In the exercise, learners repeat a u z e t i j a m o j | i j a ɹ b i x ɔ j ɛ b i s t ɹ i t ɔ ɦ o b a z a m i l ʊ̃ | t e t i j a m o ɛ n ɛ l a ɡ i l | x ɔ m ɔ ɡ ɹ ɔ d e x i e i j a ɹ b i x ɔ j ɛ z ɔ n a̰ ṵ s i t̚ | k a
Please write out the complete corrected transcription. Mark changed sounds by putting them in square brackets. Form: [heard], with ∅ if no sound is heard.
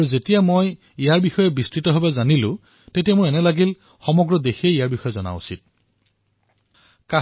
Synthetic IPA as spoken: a u z e t i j a m o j | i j a ɹ b i x ɔ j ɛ b i s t ɹ i t ɔ ɦ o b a z a [n] i l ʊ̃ | t e t i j a m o ɛ n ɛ l a ɡ i l | x ɔ m ɔ ɡ ɹ ɔ d e x i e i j a ɹ b i x ɔ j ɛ z ɔ n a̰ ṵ s i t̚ | k a